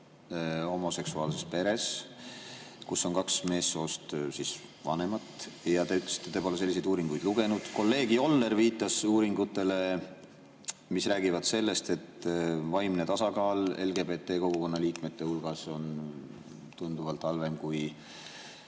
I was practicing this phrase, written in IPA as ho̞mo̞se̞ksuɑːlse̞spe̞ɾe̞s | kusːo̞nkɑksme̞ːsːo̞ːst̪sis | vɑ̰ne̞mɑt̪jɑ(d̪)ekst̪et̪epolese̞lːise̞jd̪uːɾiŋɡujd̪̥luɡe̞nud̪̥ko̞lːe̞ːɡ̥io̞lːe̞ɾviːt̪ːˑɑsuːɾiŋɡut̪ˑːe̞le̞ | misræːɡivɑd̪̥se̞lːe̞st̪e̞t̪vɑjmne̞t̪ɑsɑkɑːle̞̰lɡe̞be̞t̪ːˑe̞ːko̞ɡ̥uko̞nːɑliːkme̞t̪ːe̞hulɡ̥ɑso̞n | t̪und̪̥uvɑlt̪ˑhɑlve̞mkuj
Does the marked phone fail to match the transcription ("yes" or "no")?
yes